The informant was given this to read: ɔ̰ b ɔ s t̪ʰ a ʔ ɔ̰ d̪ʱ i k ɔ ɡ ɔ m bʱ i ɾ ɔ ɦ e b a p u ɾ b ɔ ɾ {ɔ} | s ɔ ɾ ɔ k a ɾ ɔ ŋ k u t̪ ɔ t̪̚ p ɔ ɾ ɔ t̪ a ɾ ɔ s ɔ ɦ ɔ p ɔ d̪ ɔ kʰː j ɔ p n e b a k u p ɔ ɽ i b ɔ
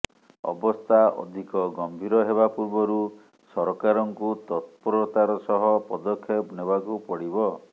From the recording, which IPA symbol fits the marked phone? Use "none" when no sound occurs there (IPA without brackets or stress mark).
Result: u